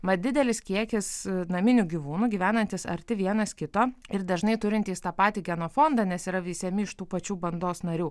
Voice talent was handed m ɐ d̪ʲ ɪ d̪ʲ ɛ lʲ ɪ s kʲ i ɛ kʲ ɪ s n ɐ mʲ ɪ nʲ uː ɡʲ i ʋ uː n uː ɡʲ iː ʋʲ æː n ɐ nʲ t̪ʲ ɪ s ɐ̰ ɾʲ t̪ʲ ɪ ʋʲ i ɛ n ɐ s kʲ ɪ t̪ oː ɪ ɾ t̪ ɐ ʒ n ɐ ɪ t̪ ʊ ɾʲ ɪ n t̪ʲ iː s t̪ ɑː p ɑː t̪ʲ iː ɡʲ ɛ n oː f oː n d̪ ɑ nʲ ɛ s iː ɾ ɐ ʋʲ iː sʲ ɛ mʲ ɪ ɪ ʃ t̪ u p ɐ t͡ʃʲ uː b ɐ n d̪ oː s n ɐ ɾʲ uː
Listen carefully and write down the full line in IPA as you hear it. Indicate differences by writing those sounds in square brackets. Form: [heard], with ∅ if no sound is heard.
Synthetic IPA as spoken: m ɐ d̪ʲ ɪ d̪ʲ ɛ lʲ ɪ s kʲ i ɛ kʲ ɪ s n ɐ mʲ ɪ nʲ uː ɡʲ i ʋ uː n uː ɡʲ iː ʋʲ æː n ɐ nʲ t̪ʲ ɪ s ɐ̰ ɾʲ t̪ʲ ɪ ʋʲ i ɛ n ɐ s kʲ ɪ t̪ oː ɪ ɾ [d̪] ɐ ʒ n ɐ ɪ t̪ ʊ ɾʲ ɪ n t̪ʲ iː s t̪ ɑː p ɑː t̪ʲ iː ɡʲ ɛ n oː f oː n d̪ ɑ nʲ ɛ s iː ɾ ɐ ʋʲ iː sʲ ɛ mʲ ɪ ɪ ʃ t̪ [uː] p ɐ t͡ʃʲ uː b ɐ n d̪ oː s n ɐ ɾʲ uː

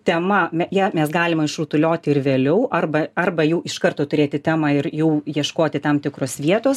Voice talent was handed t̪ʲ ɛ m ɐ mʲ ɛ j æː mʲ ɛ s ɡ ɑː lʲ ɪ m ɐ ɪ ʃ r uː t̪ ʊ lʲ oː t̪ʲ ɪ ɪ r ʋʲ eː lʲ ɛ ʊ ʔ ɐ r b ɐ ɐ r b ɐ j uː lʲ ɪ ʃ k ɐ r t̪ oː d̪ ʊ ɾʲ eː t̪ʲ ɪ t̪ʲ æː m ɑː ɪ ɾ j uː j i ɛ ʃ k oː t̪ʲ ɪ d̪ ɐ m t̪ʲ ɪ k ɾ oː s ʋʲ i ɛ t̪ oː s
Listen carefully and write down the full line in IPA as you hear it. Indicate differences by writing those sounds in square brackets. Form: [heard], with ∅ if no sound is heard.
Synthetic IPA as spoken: t̪ʲ ɛ m ɐ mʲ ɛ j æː mʲ ɛ s ɡ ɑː lʲ ɪ m ɐ ɪ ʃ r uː t̪ ʊ lʲ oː t̪ʲ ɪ ɪ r ʋʲ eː lʲ ɛ ʊ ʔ ɐ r b ɐ ɐ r b ɐ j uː [∅] ɪ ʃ k ɐ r t̪ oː [t̪] ʊ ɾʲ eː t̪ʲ ɪ t̪ʲ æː m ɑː ɪ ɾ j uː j i ɛ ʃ k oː t̪ʲ ɪ [t̪] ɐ m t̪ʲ ɪ k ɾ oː s ʋʲ i ɛ t̪ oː s

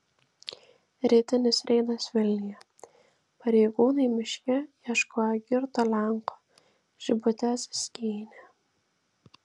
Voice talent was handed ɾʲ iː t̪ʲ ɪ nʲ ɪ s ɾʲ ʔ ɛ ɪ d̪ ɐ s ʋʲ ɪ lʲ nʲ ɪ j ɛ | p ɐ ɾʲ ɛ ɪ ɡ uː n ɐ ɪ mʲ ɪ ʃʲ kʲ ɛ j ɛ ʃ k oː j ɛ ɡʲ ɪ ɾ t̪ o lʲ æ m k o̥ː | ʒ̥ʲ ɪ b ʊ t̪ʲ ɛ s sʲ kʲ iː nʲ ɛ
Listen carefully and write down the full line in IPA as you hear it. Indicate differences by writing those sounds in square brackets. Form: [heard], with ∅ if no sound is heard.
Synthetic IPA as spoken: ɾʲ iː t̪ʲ ɪ nʲ ɪ s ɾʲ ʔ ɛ ɪ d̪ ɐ s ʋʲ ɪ lʲ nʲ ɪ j ɛ | p ɐ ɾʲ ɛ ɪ ɡ uː n ɐ ɪ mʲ ɪ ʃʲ kʲ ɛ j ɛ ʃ k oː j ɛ ɡʲ ɪ ɾ t̪ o lʲ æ [ŋ] k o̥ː | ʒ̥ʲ ɪ b ʊ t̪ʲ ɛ s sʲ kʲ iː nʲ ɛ

